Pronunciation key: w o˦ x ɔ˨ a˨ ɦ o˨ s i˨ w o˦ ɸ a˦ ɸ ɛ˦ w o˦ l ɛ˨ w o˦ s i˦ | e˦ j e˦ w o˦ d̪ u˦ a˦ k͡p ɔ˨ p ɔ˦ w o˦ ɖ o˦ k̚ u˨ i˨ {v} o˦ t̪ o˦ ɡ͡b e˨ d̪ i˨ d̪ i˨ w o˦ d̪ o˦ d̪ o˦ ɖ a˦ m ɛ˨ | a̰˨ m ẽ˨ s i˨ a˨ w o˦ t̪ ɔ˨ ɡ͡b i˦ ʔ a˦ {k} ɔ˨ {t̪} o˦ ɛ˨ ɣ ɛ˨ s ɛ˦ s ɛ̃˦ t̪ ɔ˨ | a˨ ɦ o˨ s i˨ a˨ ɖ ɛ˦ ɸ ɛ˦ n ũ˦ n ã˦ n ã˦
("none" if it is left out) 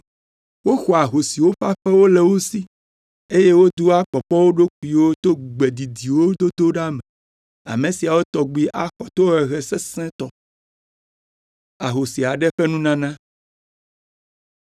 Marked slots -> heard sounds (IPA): w, x, t̪

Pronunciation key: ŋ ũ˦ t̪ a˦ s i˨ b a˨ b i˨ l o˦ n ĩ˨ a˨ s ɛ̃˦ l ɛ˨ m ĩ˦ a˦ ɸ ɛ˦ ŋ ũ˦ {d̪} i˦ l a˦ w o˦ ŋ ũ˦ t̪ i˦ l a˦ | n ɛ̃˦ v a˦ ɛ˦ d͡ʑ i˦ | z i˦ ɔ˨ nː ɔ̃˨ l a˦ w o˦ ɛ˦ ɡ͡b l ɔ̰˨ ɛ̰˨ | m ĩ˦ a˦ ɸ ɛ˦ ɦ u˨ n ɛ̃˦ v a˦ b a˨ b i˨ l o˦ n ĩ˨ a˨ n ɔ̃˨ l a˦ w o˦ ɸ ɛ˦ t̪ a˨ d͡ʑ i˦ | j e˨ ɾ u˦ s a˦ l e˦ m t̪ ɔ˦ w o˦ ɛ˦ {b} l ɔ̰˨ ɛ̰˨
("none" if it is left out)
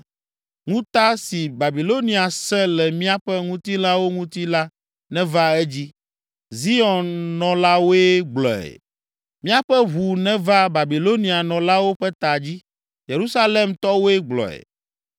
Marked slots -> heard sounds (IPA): t̪, ɡ͡b

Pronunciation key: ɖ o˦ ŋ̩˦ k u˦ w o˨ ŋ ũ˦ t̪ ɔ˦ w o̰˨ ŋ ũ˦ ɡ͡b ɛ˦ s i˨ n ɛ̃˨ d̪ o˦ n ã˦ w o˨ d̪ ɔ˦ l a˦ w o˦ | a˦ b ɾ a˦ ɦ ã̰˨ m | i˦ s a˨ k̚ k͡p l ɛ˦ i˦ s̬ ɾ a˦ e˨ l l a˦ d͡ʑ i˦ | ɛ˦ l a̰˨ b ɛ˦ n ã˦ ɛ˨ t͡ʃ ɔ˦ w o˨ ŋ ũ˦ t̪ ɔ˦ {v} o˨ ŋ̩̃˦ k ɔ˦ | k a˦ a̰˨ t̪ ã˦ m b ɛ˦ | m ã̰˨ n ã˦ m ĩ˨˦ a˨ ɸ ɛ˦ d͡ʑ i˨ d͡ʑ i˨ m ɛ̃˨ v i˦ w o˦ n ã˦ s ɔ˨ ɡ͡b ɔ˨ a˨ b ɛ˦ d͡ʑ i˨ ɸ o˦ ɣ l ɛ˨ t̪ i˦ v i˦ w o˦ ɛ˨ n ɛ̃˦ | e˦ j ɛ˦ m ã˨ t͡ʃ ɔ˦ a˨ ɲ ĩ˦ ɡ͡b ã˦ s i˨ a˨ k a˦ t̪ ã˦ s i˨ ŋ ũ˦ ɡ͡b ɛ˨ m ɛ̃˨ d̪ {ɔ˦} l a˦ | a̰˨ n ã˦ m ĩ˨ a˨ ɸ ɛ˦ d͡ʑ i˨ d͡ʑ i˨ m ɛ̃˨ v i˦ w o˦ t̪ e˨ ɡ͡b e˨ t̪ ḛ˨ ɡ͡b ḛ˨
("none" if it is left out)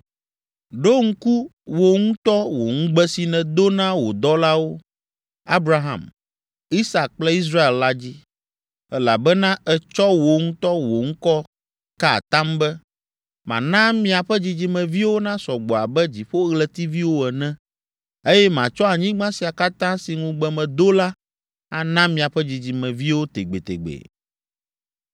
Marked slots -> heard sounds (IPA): w, o˦

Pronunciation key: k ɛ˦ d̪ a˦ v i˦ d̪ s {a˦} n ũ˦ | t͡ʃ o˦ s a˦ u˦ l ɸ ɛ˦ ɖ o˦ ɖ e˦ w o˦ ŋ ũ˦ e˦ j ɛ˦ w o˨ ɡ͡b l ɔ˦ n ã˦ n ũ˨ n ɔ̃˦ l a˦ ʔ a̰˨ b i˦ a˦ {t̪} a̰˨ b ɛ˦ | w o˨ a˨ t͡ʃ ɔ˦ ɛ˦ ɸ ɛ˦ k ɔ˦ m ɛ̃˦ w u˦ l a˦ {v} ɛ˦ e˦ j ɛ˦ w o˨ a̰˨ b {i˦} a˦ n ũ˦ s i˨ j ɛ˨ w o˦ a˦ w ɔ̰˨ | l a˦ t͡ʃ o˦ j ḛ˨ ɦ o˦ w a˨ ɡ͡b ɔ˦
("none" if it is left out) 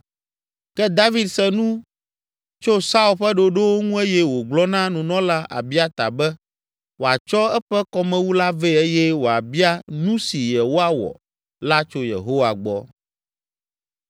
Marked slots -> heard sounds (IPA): ɛ˦, t̪, v, i˦

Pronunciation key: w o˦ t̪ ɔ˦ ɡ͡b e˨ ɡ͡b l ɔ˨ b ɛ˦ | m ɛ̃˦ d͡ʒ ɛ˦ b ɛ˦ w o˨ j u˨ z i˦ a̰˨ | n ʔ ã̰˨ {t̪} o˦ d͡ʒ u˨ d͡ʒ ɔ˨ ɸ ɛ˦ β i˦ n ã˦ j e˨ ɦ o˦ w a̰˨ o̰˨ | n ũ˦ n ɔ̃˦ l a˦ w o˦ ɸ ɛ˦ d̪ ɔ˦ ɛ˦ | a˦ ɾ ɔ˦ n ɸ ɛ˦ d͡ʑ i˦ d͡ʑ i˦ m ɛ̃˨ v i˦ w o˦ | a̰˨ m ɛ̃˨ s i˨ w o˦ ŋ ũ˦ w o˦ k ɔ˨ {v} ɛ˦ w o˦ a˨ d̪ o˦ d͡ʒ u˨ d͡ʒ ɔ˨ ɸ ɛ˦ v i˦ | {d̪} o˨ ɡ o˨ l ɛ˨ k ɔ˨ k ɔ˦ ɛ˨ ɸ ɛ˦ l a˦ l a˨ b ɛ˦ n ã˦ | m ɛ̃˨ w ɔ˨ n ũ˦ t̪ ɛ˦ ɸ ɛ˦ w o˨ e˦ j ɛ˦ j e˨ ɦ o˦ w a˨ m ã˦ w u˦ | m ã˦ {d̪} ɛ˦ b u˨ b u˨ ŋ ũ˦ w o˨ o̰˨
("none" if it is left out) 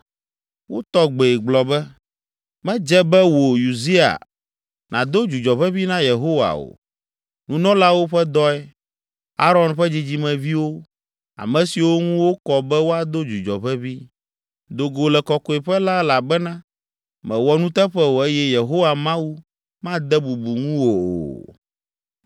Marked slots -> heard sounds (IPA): d̪, b, d̪, d̪

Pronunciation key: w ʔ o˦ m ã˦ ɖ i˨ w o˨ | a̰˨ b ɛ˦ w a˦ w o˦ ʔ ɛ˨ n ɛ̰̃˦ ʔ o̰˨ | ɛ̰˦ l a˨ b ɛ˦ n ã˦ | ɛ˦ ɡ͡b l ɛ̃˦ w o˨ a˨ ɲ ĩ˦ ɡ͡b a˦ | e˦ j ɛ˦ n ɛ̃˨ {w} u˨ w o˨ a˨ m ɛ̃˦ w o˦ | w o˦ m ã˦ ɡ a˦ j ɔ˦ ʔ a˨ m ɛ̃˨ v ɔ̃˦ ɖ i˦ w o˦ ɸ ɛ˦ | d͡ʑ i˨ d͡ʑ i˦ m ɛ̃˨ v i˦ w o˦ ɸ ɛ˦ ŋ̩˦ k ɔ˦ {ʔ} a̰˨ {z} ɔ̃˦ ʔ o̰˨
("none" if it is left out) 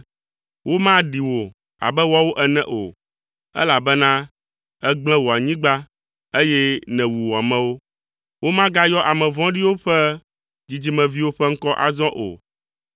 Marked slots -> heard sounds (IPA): w, ʔ, z

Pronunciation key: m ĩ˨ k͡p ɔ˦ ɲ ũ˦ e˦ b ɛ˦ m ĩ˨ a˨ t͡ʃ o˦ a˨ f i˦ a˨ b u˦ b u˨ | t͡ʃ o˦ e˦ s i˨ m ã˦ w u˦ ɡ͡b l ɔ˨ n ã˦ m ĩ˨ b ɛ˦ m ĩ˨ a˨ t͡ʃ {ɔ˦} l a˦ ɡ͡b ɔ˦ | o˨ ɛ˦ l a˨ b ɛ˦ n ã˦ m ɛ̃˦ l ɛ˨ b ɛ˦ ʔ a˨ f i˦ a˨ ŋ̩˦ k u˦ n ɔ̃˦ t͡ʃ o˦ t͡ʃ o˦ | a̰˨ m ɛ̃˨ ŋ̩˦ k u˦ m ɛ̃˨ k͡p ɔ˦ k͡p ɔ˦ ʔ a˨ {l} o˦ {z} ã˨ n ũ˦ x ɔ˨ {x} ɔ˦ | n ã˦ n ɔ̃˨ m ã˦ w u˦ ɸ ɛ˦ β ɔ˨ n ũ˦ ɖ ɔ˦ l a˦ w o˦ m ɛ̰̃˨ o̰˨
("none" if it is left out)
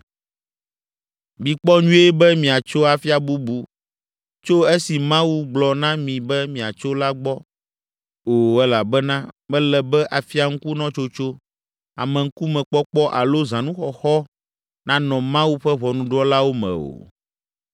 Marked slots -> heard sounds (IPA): o˦, l, z, x

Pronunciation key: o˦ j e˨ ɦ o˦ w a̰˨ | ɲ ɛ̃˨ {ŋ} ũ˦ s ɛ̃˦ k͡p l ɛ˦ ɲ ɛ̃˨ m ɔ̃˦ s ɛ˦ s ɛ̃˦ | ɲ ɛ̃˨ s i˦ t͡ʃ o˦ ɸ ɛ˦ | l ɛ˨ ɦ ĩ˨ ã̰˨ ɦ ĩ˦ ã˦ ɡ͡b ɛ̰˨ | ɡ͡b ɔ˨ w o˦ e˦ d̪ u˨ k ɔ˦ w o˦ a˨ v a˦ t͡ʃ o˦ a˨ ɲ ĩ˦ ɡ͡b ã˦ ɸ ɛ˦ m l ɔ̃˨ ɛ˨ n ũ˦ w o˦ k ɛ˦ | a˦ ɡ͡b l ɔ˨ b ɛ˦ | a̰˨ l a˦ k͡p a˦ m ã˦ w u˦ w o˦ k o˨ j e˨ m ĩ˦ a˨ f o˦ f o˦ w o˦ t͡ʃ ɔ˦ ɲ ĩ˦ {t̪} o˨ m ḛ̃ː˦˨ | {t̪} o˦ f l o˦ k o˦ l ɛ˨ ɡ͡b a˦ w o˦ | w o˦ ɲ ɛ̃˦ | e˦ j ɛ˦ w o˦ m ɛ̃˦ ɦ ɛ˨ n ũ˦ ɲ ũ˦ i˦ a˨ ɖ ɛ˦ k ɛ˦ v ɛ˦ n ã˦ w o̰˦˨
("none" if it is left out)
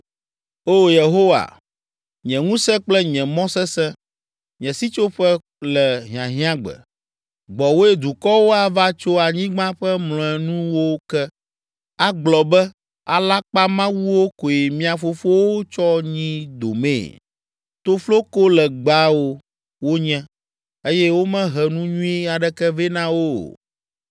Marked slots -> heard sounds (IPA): ŋ, d̪, t̪

